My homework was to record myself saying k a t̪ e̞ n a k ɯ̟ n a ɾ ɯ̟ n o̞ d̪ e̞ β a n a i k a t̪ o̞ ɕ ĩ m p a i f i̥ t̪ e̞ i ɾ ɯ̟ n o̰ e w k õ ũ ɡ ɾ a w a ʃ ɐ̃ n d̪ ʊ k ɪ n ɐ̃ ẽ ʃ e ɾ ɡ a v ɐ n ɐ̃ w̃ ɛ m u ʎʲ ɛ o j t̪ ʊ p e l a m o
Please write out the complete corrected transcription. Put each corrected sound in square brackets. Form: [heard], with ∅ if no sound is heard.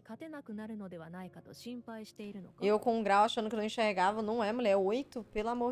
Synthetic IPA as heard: k a t̪ e̞ n a k ɯ̟ n a ɾ ɯ̟ n o̞ d̪ e̞ β a n a i k a t̪ o̞ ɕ ĩ m p a i [ɕ] i̥ t̪ e̞ i ɾ ɯ̟ n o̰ e w k õ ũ ɡ ɾ a w a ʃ ɐ̃ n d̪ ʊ k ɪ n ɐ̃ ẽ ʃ e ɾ ɡ a v ɐ n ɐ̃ w̃ ɛ m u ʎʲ ɛ o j t̪ ʊ p e l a m o

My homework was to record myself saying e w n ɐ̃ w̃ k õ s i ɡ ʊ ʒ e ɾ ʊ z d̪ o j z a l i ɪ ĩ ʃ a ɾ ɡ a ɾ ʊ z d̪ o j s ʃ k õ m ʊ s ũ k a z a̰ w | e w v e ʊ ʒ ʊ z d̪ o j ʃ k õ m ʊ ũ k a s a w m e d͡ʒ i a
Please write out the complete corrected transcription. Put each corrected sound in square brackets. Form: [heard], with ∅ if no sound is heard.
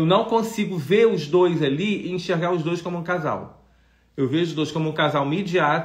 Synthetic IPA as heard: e w n ɐ̃ w̃ k õ s i ɡ ʊ [v] e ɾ ʊ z d̪ o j z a l i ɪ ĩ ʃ [e] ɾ ɡ a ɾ ʊ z d̪ o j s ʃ k õ m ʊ [∅] ũ k a z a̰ w | e w v e ʊ ʒ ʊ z d̪ o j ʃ k õ m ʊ ũ k a [z] a w m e d͡ʒ i a

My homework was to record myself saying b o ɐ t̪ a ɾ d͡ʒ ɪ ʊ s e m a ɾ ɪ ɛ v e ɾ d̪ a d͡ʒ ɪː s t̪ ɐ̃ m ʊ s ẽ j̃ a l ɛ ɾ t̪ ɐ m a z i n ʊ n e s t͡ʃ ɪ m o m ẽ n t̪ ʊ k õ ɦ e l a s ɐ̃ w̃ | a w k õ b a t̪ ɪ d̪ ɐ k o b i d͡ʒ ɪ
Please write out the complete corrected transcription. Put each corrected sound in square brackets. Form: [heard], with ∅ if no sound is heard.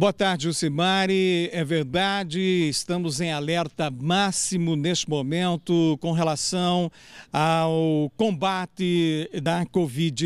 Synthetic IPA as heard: b o ɐ t̪ a ɾ d͡ʒ ɪ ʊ s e m a ɾ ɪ ɛ v e ɾ d̪ a d͡ʒ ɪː s t̪ ɐ̃ m ʊ [z] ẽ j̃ a l ɛ ɾ t̪ ɐ m a [s] i [m] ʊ n e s t͡ʃ ɪ m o m ẽ n t̪ ʊ k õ ɦ e l a s ɐ̃ w̃ | a w k õ b a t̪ ɪ d̪ ɐ k o [v] i d͡ʒ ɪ

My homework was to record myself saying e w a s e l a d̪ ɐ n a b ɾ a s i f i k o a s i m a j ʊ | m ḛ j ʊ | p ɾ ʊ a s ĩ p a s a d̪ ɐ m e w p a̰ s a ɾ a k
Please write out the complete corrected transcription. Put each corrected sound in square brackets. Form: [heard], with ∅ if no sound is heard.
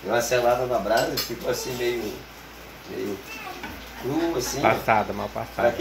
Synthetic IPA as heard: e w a s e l a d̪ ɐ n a b ɾ a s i f i k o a s [ĩ] m [e] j ʊ | m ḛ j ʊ | [k] ɾ [u] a s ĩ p a s a d̪ ɐ m [a] w p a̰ s a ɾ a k

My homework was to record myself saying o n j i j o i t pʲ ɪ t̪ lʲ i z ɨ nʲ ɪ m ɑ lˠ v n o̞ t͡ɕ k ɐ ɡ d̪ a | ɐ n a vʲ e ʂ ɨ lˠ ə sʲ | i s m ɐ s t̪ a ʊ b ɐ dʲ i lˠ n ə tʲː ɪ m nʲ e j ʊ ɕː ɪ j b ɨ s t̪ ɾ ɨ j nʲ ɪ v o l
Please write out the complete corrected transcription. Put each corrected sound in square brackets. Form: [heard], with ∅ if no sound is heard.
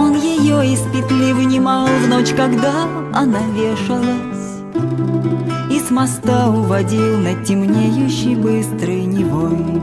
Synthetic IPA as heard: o n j [ɪ] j o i [s] pʲ ɪ t̪ lʲ i [v] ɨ nʲ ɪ m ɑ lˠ v n o̞ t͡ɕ k ɐ ɡ d̪ a | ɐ n a vʲ e ʂ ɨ lˠ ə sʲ | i s m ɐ s t̪ a ʊ [v] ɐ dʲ i lˠ n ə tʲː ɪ m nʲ e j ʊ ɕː ɪ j b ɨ s t̪ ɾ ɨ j nʲ ɪ v o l

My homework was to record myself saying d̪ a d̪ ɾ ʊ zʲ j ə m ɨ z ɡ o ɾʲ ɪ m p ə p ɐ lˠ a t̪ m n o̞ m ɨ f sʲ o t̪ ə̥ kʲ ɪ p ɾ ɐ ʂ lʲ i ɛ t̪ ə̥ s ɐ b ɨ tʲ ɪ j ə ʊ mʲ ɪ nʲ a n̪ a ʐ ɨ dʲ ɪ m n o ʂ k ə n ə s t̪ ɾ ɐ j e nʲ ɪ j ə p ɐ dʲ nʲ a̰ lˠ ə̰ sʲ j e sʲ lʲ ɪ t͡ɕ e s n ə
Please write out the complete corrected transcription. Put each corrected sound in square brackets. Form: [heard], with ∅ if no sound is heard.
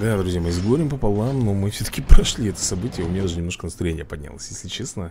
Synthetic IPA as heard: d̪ a d̪ ɾ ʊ zʲ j [a] m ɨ z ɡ o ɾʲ ɪ m p ə p ɐ lˠ a [∅] m n o̞ m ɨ f sʲ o t̪ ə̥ kʲ ɪ p ɾ ɐ ʂ lʲ i ɛ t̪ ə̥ s ɐ b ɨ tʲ ɪ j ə ʊ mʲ ɪ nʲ a [d̪] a ʐ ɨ [nʲ] ɪ m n o ʂ k ə n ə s t̪ ɾ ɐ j e nʲ ɪ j ə p ɐ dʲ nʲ a̰ lˠ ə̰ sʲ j e sʲ lʲ ɪ t͡ɕ e s n ə

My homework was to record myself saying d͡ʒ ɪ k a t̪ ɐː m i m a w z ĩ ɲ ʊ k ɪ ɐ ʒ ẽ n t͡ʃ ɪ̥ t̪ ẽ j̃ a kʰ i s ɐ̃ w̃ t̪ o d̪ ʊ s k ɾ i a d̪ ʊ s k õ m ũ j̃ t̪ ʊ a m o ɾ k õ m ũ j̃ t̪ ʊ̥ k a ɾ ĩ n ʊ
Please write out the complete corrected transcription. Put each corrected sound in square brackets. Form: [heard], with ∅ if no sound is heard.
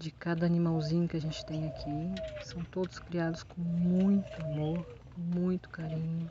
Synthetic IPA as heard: d͡ʒ ɪ k a [d̪] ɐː [n] i m a w z ĩ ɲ ʊ k ɪ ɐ ʒ ẽ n t͡ʃ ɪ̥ t̪ ẽ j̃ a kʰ i s ɐ̃ w̃ t̪ o d̪ ʊ s k ɾ i a d̪ ʊ s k õ m ũ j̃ t̪ ʊ a m o ɾ k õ m ũ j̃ t̪ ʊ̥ k a ɾ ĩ [ɲ] ʊ

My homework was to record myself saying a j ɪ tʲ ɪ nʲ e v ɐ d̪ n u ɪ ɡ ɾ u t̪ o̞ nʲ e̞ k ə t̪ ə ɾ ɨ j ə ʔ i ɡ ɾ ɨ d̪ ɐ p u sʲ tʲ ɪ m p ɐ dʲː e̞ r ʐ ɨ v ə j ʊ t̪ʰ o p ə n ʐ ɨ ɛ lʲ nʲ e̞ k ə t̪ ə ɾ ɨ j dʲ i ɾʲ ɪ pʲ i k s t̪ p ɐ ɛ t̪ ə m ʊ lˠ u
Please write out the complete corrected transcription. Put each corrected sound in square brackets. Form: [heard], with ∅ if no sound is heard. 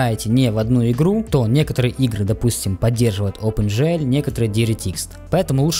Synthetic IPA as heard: a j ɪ tʲ ɪ nʲ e v ɐ d̪ n u ɪ ɡ ɾ u t̪ o̞ nʲ e̞ k ə t̪ ə ɾ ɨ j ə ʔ i ɡ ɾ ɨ d̪ ɐ p u sʲ tʲ ɪ m p ɐ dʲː e̞ r ʐ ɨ v ə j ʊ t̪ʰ o p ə n ʐ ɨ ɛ lʲ nʲ e̞ k ə t̪ ə ɾ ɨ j dʲ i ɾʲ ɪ [tʲ] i k s t̪ p ɐ ɛ t̪ ə m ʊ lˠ u

